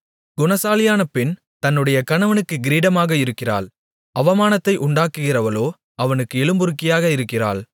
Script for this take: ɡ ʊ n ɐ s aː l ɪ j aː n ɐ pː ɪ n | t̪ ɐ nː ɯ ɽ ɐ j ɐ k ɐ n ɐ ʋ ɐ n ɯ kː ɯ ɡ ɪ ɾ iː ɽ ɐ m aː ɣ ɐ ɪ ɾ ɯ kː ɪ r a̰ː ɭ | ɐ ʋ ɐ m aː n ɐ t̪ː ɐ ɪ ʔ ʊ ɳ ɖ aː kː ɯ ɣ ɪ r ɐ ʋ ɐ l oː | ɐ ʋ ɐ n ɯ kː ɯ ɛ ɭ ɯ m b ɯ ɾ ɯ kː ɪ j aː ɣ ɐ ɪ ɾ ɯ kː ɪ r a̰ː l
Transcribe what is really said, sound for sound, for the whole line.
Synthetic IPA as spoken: ɡ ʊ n ɐ s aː l ɪ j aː n ɐ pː ɪ n | t̪ ɐ nː ɯ ɽ ɐ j ɐ k ɐ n ɐ ʋ ɐ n ɯ kː ɯ ɡ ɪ ɾ iː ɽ ɐ m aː ɣ ɐ ɪ ɾ ɯ kː ɪ r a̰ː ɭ | ɐ ʋ ɐ m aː n ɐ t̪ː ɐ ɪ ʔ ʊ ɳ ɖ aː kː ɯ ɣ ɪ r ɐ ʋ ɐ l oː | ɐ ʋ ɐ n ɯ kː ɯ ɛ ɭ ɯ m b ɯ ɾ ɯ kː ɪ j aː ɣ ɐ ɪ ɾ ɯ kː ɪ r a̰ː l